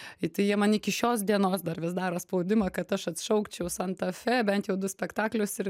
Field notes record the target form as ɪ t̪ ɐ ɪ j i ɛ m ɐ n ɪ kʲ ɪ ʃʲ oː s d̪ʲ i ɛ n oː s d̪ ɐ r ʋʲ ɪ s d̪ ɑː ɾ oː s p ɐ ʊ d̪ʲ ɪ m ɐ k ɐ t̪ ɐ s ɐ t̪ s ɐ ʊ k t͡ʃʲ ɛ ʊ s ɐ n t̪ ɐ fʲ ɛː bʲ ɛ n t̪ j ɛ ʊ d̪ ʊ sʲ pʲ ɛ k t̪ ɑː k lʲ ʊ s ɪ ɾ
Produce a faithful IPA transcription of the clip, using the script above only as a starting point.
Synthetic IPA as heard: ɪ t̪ ɐ ɪ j i ɛ m ɐ n ɪ kʲ ɪ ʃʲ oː s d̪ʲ i ɛ n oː s d̪ ɐ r ʋʲ ɪ s d̪ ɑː ɾ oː s p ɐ ʊ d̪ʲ ɪ m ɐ k ɐ t̪ ɐ ʃ ɐ t̪ ʃ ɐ ʊ k t͡ʃʲ ɛ ʊ s ɐ n t̪ ɐ fʲ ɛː bʲ ɛ n t̪ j ɛ ʊ d̪ ʊ sʲ pʲ ɛ k t̪ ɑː k lʲ ʊ s ɪ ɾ